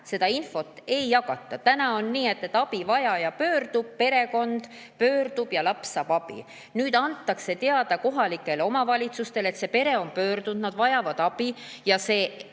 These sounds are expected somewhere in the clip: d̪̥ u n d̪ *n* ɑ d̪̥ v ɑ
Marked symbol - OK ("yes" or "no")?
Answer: yes